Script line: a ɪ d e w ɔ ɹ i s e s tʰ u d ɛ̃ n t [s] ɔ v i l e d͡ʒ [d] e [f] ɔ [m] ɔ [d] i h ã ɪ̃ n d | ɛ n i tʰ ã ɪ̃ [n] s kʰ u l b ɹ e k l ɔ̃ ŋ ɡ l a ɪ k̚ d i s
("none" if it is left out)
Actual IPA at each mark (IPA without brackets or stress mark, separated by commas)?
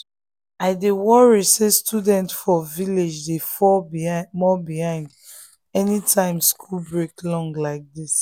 f, d, f, m, b, m